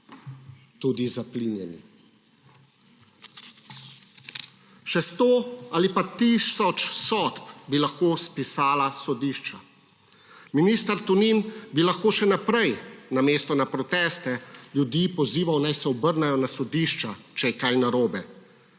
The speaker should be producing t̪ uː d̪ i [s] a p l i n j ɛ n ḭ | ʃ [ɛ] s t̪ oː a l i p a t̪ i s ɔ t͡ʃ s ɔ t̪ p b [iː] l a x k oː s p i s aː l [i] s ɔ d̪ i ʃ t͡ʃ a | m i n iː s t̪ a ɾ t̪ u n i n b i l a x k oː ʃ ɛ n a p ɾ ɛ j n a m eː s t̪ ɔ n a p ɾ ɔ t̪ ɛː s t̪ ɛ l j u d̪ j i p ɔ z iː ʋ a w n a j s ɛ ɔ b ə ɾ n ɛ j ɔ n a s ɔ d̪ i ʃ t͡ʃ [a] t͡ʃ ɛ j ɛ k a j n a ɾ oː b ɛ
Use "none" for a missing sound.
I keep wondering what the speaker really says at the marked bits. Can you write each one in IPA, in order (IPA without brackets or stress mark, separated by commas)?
z, ɛ, i, a, a